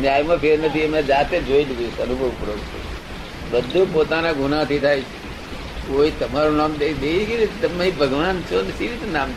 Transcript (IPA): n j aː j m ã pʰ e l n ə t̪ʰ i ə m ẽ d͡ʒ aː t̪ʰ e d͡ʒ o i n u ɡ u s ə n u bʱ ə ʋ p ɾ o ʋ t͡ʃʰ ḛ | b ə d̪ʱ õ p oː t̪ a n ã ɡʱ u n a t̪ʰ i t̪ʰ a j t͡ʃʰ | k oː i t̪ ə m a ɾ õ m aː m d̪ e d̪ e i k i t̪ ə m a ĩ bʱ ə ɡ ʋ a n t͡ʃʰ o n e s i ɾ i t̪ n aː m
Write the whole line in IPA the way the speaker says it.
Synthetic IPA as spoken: n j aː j m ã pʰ e ɾ n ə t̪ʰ i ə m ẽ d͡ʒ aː t̪ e d͡ʒ o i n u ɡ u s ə n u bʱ ə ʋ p ɾ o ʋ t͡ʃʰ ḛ | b ə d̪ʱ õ p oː t̪ a n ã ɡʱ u n a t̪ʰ i t̪ʰ a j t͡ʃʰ | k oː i t̪ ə m a ɾ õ n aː m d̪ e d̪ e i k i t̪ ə m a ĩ bʱ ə ɡ ʋ a n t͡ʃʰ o n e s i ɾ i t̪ n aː m